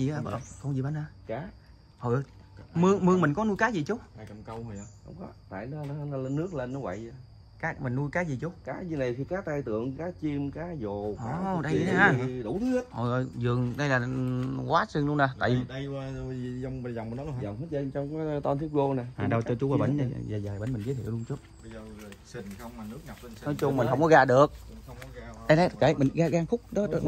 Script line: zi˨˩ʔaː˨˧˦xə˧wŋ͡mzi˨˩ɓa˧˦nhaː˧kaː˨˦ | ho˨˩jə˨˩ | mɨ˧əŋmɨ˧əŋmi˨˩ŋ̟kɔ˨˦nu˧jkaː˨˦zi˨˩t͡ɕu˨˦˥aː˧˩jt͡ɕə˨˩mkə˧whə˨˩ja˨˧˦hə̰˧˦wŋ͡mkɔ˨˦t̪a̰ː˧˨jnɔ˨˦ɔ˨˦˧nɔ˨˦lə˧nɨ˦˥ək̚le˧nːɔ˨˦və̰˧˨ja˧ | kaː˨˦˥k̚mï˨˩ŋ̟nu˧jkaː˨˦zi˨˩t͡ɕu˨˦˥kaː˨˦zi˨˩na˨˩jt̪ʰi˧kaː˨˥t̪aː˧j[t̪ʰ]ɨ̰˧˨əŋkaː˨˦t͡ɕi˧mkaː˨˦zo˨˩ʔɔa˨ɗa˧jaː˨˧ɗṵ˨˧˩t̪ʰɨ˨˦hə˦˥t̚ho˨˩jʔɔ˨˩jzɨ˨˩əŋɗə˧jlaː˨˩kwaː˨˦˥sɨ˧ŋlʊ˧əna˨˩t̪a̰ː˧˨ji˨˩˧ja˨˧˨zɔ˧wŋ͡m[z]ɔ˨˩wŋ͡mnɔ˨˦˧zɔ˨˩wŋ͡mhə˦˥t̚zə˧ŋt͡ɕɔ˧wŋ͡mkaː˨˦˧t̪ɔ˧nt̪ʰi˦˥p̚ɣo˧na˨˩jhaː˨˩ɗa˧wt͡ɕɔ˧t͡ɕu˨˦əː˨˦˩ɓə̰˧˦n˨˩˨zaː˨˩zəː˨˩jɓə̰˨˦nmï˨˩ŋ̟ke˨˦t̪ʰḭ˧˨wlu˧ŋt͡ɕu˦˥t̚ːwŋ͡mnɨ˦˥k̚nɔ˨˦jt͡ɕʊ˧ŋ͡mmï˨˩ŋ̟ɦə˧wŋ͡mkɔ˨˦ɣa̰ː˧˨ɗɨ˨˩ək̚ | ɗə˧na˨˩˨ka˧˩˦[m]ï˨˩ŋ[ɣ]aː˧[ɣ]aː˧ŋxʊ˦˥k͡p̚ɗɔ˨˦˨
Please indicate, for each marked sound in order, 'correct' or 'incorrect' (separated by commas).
incorrect, correct, correct, correct, correct